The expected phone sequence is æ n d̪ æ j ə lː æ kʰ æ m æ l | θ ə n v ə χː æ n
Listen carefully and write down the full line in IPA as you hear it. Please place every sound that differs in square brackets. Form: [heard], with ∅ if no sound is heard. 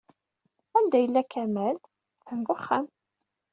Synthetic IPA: æ n d̪ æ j ə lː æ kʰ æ m æ l | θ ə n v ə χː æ [m]

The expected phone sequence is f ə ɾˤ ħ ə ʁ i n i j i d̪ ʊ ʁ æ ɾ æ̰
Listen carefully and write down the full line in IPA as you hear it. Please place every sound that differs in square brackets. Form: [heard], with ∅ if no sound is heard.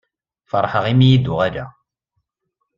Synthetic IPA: f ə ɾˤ ħ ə ʁ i [m] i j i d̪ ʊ ʁ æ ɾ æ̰

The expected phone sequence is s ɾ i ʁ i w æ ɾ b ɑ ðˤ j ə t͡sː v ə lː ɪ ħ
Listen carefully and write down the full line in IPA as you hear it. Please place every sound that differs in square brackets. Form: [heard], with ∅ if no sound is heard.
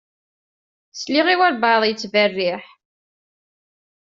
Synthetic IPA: s [l] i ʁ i w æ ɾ b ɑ ðˤ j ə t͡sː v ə [rː] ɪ ħ

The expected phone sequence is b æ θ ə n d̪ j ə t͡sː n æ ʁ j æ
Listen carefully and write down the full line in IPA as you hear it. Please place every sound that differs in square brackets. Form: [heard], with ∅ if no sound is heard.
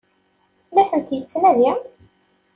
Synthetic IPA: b æ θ ə n [t̪] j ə t͡sː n æ [ð] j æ

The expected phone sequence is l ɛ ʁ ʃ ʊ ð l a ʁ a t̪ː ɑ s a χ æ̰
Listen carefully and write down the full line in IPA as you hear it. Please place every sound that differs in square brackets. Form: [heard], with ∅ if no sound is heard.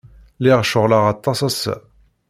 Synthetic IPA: l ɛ ʁ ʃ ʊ [ʁ] l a ʁ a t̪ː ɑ s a [s] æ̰

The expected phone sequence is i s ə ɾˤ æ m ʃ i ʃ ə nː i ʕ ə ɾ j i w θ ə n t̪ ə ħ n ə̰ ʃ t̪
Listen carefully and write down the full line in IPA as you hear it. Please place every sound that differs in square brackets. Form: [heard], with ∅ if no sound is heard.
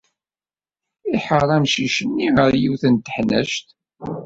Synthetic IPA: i [ħ] ə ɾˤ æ m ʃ i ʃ ə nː i [ʁ] ə ɾ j i w θ ə n t̪ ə ħ n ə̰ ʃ t̪

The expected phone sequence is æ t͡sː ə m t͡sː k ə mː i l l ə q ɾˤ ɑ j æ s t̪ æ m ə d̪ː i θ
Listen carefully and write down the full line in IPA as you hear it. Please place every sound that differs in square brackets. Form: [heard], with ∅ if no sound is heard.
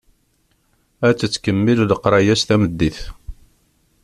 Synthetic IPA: æ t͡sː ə [∅] t͡sː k ə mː i l l ə q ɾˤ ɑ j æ s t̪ æ m ə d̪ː i θ

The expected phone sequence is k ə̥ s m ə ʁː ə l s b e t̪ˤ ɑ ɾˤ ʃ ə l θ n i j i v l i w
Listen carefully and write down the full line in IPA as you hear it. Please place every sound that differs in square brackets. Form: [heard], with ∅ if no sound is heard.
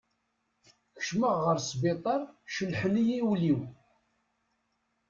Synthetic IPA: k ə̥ [ʃ] m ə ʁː ə [ɾ] s b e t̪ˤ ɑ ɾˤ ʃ ə l [ħ] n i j i [w] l i w

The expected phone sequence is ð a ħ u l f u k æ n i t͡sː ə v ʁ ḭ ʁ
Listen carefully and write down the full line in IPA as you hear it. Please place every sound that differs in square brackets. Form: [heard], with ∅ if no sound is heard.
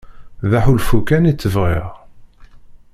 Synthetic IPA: ð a ħ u l f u k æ n i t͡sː ə v ʁ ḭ ʁ

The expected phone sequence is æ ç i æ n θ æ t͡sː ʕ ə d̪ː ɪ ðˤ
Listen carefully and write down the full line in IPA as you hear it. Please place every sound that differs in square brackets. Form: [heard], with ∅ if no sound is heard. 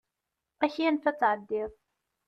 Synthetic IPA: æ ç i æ n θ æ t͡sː ʕ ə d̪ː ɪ ðˤ

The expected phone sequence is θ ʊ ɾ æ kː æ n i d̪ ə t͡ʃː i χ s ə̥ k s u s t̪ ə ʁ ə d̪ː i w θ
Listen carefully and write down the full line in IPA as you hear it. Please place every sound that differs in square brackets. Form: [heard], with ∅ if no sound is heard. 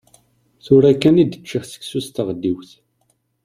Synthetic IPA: θ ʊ ɾ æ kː æ n i d̪ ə t͡ʃː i χ s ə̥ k s u s t̪ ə ʁ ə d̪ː i w θ

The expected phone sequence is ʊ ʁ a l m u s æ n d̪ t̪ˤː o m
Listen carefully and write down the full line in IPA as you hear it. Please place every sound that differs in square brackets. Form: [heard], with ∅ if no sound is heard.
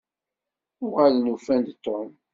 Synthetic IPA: ʊ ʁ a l [n] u [f] æ n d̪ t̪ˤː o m

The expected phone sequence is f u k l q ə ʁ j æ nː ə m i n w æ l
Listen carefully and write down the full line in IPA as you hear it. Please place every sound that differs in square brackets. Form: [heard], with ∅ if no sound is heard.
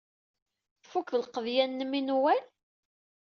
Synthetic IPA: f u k l q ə [ð] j æ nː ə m i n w æ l

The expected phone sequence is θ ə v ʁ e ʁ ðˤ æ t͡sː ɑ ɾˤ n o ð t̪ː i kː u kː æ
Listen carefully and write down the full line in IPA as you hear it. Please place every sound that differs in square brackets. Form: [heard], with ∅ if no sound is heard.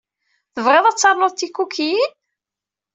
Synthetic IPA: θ ə v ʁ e [∅] ðˤ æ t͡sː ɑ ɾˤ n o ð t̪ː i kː u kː [i]

